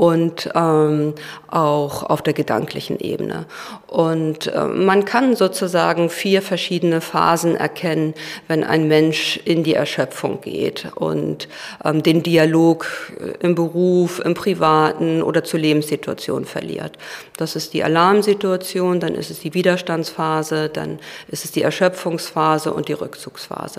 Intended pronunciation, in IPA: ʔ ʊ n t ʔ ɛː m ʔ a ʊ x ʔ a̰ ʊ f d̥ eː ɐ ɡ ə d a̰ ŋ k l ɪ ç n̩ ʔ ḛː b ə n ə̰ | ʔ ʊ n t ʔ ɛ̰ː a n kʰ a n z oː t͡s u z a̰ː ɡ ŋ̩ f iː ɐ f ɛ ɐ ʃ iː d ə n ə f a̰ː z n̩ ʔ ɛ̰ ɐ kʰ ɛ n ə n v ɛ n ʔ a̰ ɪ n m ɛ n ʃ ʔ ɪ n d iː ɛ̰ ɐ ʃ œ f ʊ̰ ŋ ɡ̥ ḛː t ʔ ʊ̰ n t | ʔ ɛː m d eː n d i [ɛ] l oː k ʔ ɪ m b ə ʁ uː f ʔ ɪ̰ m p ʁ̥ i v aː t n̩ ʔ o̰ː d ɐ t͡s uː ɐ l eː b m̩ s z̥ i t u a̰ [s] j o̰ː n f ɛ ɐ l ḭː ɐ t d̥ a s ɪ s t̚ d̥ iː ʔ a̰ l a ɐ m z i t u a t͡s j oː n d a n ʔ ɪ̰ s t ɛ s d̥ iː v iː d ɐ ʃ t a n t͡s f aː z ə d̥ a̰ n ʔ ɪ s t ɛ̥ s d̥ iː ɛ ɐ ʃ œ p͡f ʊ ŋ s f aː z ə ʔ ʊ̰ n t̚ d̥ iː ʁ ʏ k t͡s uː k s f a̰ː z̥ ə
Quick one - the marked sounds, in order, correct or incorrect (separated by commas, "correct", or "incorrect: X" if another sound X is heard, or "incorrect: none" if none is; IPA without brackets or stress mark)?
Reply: incorrect: a, incorrect: t͡s